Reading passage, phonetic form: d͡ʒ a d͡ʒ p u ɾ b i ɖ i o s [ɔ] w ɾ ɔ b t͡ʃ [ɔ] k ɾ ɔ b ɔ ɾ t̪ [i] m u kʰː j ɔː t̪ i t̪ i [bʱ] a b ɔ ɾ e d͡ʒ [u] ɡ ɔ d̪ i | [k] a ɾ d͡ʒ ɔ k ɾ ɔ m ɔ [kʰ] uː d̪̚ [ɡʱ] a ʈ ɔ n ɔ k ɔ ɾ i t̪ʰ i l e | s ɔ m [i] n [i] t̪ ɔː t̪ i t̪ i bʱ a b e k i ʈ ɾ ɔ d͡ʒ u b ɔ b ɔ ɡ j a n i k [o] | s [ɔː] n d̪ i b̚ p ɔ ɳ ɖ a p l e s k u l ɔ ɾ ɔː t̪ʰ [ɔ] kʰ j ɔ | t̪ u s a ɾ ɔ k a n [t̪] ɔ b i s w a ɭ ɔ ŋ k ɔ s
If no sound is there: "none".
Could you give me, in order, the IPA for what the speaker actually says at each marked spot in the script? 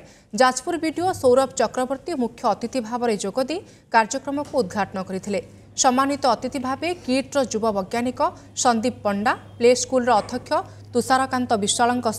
o, ɔ, i, bʱ, o, k, k, ɡʱ, a, i, ɔ, ɔ, ɔ, t̪

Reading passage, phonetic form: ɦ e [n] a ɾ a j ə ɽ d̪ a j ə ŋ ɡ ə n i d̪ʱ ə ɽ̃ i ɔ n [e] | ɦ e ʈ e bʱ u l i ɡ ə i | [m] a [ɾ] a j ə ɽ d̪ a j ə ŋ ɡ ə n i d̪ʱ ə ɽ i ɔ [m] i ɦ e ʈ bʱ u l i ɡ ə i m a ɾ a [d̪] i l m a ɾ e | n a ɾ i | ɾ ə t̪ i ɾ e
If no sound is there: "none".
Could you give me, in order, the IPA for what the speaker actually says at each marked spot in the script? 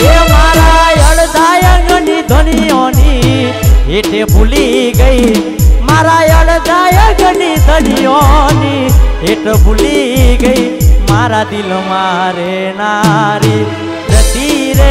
m, i, m, ɾ, n, d̪

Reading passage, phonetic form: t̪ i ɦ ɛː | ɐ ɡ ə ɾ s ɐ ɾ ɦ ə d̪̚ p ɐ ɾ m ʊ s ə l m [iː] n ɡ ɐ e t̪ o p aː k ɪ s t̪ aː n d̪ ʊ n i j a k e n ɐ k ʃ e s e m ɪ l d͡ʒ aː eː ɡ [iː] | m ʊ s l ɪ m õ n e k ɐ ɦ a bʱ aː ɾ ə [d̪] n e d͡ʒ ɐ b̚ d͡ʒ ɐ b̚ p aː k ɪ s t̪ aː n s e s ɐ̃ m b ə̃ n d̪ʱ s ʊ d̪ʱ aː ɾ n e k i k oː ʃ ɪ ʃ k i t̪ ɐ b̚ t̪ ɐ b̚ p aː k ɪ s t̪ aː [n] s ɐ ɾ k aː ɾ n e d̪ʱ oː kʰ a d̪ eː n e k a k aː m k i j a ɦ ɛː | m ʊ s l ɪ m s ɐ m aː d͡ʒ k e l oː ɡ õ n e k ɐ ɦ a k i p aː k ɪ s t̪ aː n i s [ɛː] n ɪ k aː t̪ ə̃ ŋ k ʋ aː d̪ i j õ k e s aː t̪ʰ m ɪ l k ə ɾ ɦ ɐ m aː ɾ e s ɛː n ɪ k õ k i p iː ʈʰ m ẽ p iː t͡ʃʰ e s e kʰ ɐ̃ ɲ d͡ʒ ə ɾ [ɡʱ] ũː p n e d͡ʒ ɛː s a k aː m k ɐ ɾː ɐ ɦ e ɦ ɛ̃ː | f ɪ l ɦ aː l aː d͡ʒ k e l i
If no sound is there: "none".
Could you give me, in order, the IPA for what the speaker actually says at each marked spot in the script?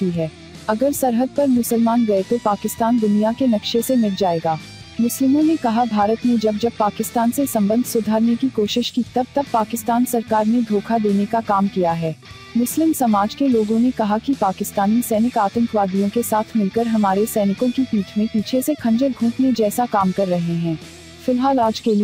aː, aː, t̪, n, ɛː, ɡʱ

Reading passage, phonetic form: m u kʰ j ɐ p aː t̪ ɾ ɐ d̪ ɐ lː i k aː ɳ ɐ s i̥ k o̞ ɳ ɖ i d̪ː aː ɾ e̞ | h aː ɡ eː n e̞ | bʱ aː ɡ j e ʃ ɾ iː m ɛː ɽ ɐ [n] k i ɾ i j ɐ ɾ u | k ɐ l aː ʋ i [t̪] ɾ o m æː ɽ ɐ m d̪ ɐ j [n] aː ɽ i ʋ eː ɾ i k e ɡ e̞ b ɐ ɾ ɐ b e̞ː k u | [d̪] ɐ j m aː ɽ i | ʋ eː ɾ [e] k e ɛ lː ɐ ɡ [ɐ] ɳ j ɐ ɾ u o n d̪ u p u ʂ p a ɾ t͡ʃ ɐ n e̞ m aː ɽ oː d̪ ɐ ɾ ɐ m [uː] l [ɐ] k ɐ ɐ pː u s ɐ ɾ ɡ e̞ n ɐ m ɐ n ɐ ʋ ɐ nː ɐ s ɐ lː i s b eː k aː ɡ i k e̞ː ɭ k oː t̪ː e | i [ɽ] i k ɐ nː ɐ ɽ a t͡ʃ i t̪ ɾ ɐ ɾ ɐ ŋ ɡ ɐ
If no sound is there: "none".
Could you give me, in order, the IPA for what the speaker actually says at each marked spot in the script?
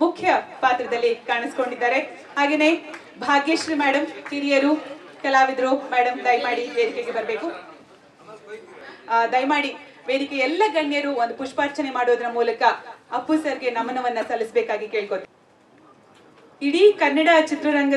m, d̪, m, d̪, i, ɐ, uː, ɐ, ɽ

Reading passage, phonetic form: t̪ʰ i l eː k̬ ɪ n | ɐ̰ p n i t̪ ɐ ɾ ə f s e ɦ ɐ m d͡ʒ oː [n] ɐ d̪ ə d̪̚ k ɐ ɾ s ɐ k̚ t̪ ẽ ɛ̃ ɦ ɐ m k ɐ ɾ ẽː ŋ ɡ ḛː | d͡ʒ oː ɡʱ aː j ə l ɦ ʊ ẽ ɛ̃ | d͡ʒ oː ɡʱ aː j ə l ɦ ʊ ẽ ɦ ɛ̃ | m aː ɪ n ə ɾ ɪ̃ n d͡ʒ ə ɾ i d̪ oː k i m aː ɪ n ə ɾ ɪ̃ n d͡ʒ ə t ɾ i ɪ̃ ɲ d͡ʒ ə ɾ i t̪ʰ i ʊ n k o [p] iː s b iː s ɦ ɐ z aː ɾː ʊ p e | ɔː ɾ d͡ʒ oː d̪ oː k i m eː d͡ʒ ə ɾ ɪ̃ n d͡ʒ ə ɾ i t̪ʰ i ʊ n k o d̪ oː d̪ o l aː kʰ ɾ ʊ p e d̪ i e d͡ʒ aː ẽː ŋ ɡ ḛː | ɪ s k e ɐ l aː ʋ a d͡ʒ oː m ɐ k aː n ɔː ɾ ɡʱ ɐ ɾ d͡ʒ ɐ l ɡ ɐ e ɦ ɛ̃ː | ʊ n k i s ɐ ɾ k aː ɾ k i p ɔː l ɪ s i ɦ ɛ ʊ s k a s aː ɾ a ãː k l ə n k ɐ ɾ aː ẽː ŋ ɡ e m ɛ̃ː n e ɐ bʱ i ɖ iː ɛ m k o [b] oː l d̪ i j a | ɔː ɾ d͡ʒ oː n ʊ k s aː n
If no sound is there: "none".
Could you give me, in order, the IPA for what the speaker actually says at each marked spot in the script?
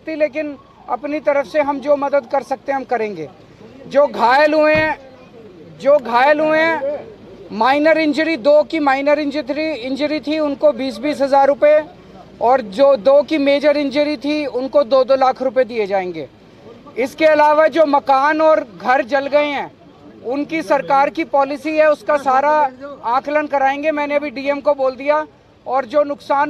m, b, b

